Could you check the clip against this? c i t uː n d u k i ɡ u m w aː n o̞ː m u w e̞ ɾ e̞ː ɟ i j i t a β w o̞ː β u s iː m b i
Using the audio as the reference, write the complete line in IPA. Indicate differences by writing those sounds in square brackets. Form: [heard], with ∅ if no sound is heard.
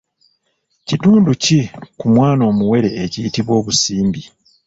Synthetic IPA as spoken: c i t uː n d u [c] i [k] u m w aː n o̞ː m u w e̞ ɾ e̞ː [c] i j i t [i] β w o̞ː β u s iː m b i